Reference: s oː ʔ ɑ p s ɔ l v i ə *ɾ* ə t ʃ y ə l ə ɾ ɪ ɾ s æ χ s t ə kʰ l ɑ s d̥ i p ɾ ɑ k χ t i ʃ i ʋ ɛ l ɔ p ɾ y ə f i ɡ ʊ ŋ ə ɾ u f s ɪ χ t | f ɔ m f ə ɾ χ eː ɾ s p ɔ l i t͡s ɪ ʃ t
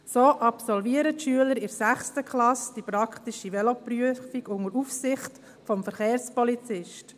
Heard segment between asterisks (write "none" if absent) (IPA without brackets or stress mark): ɾ